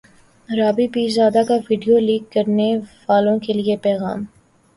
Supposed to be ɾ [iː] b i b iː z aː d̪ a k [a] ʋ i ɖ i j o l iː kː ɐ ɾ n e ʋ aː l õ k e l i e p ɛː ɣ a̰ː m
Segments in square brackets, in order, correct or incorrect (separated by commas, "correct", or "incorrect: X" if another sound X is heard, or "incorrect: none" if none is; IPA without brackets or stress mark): incorrect: aː, correct